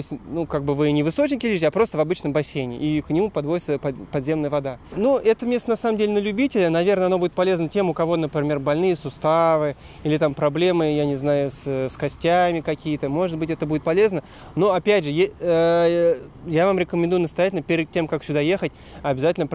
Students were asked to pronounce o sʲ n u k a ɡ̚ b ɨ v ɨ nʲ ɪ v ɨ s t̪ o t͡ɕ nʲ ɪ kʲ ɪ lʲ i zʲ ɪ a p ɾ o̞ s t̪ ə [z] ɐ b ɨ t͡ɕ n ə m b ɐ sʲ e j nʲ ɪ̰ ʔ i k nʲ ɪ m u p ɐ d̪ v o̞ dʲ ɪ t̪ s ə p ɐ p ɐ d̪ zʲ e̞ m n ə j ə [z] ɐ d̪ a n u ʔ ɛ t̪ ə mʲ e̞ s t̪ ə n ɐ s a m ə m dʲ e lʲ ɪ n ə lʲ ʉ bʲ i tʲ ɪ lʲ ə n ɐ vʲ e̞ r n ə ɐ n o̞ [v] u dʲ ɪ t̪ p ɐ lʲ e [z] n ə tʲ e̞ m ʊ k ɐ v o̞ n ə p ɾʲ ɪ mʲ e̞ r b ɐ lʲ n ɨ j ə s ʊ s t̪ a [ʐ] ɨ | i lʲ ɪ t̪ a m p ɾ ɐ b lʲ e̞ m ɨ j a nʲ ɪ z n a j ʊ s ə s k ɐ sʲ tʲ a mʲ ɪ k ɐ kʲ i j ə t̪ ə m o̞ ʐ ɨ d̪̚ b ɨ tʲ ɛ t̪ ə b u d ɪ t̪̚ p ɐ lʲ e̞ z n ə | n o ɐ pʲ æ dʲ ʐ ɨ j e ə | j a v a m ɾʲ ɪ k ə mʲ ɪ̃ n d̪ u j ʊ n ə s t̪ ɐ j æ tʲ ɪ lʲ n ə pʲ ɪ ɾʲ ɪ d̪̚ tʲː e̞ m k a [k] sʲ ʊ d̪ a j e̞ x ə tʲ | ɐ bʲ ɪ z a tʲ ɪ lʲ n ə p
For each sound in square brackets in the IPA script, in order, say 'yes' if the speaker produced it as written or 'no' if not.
no, no, no, yes, no, yes

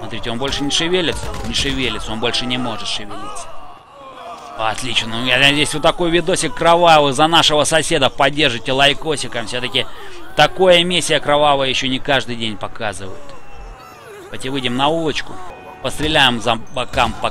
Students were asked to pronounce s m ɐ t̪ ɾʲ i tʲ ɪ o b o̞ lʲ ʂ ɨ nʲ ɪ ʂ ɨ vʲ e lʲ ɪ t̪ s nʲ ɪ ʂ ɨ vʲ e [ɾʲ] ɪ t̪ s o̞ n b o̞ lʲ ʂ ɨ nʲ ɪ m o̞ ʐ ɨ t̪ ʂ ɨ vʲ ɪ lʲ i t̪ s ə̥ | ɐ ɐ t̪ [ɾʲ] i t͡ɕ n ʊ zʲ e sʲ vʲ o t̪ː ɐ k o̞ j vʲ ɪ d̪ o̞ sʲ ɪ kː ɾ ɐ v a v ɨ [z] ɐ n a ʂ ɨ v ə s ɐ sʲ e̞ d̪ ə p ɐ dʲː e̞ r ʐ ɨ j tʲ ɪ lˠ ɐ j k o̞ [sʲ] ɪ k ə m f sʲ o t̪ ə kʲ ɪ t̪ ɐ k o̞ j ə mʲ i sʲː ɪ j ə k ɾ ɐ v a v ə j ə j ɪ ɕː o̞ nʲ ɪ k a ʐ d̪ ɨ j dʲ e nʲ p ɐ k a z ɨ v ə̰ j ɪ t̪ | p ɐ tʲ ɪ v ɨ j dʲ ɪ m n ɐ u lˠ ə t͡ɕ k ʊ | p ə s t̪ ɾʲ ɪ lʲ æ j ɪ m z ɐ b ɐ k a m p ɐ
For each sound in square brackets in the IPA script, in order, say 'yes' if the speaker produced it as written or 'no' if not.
no, no, yes, yes

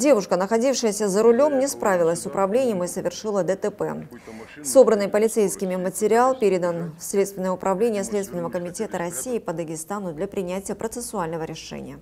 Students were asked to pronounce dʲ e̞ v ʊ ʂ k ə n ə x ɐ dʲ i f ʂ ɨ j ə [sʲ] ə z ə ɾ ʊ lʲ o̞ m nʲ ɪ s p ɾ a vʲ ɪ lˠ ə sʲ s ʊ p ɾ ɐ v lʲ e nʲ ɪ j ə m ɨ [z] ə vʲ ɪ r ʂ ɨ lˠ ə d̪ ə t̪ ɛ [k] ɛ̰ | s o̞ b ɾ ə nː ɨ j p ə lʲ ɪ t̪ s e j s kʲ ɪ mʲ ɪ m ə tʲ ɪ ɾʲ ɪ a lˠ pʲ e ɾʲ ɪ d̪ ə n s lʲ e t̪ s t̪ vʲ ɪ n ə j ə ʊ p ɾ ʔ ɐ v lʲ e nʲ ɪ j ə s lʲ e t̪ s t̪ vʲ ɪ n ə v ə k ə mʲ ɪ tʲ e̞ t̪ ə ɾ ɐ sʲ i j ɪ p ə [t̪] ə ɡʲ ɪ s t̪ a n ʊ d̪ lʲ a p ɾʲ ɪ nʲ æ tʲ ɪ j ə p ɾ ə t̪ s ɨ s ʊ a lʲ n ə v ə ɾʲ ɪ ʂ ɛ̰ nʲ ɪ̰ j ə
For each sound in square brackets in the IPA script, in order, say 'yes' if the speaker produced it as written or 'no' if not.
yes, no, no, no

